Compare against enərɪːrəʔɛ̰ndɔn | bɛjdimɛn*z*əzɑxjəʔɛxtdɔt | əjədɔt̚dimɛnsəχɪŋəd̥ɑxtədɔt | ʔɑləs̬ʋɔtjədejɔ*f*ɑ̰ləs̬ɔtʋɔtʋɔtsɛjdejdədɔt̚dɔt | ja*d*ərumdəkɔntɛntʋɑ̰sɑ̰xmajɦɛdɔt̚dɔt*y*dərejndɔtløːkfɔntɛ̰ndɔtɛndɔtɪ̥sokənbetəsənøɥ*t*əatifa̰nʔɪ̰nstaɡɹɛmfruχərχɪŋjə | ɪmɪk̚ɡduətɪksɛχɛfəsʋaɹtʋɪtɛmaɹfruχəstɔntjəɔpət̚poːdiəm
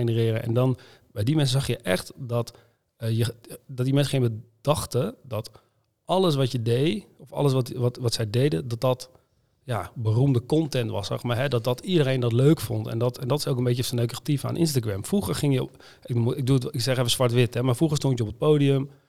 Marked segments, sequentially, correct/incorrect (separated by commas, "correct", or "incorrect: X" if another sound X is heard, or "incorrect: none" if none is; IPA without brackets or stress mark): incorrect: s, correct, incorrect: b, incorrect: i, incorrect: k